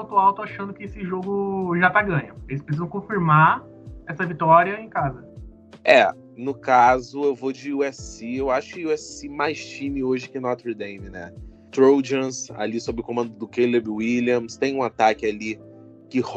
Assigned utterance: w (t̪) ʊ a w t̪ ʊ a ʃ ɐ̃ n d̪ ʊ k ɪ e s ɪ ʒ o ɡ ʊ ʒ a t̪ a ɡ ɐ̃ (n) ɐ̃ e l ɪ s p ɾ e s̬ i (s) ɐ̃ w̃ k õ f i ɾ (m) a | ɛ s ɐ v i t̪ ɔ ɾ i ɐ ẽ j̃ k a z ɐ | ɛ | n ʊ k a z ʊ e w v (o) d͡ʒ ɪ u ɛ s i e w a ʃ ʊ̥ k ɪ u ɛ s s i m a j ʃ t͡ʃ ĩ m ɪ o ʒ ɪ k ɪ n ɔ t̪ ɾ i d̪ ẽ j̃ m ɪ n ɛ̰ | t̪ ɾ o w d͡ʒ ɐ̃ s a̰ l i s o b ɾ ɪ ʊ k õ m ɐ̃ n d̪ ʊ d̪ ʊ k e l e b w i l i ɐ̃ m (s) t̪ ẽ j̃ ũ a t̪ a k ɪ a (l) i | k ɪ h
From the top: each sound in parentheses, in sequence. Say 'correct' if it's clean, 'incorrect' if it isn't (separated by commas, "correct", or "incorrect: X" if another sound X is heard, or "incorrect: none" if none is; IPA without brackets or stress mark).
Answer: correct, incorrect: ɲ, incorrect: z, correct, correct, correct, correct